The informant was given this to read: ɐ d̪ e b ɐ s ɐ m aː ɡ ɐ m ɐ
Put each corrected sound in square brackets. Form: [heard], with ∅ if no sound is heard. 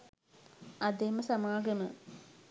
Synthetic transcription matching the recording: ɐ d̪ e [m] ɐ s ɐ m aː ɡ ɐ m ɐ